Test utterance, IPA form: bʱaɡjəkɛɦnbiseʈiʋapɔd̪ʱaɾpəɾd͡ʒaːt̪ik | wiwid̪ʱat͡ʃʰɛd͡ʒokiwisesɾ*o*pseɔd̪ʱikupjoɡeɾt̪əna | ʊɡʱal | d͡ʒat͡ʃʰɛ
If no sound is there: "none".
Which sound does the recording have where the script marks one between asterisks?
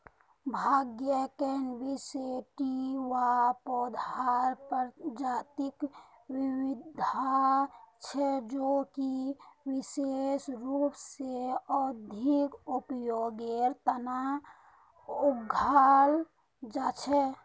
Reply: u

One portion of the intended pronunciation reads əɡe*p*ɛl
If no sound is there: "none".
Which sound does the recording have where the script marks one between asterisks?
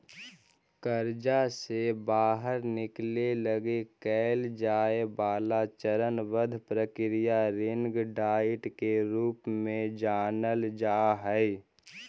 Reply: k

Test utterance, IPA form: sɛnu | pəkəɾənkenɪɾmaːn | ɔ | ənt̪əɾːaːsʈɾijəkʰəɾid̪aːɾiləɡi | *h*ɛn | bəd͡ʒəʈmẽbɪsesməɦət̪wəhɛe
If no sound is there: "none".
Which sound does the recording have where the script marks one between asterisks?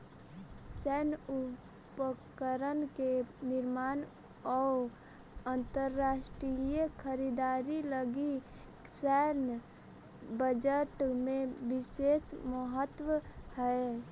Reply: s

